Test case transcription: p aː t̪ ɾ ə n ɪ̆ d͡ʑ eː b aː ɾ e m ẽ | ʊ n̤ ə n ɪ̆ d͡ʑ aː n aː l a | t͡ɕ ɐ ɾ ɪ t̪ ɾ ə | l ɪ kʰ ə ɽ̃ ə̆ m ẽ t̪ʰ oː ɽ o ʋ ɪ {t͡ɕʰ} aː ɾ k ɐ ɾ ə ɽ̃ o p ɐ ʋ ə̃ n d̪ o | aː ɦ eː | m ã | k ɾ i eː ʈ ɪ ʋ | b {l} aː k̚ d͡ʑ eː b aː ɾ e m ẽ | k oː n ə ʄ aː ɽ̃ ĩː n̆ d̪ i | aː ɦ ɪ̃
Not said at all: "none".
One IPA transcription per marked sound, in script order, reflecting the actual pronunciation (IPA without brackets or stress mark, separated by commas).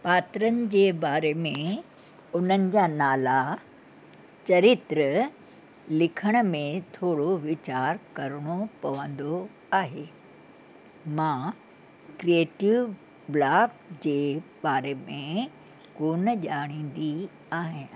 t͡ɕ, l